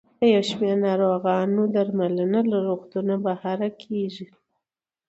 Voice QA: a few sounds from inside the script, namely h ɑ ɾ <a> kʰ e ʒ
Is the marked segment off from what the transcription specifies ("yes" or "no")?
no